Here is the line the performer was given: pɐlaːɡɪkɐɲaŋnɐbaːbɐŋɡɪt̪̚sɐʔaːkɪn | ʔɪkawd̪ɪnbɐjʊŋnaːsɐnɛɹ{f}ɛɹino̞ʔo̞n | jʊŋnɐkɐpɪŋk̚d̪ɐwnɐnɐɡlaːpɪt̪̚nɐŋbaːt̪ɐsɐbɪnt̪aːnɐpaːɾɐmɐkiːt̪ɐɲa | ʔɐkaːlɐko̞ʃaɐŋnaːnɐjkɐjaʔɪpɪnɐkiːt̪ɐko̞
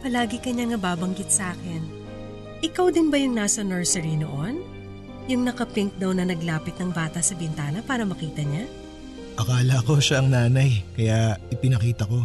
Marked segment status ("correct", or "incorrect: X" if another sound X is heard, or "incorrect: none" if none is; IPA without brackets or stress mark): incorrect: s